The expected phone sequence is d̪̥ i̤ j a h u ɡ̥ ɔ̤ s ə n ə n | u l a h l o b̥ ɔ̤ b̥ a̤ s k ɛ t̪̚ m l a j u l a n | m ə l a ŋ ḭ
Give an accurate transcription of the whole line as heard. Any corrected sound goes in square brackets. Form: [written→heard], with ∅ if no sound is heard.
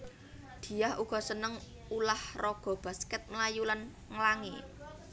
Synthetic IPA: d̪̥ i̤ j a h u ɡ̥ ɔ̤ s ə n ə [n→ŋ] | u l a h [l→r] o [b̥→ɡ̥] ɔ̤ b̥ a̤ s k ɛ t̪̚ m l a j u l a n | [m→ŋ] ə l a ŋ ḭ